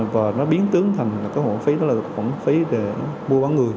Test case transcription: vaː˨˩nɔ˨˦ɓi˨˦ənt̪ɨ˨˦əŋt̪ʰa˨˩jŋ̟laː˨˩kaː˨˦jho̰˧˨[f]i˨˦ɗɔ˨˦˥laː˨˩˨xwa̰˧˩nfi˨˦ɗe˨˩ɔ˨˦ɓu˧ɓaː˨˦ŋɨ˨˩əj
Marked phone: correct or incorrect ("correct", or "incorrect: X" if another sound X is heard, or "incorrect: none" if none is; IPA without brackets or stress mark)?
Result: correct